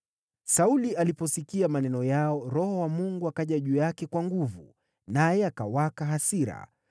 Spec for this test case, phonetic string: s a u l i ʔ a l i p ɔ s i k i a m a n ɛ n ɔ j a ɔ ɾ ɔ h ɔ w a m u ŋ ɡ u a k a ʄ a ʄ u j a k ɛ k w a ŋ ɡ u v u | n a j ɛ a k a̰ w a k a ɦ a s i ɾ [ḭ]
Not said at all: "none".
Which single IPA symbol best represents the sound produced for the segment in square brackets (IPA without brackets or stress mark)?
a̰